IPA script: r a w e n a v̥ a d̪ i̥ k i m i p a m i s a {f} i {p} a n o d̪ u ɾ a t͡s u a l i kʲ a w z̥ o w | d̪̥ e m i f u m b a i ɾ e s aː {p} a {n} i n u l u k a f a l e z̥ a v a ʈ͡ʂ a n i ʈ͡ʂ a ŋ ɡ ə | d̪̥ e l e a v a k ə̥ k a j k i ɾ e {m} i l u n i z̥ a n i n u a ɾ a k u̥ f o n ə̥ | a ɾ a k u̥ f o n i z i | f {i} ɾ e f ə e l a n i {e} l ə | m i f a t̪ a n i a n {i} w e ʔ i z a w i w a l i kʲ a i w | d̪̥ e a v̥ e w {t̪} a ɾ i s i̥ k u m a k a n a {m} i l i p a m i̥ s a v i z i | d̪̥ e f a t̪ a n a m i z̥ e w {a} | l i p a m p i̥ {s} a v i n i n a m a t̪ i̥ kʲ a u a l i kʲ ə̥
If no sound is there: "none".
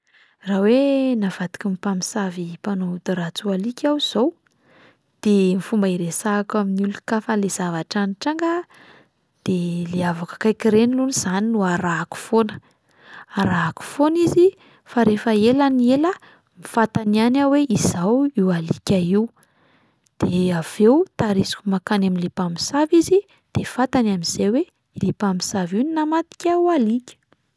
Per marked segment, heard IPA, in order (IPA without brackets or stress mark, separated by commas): v, p, k, m, n, a, e, a, t̪, m, e, s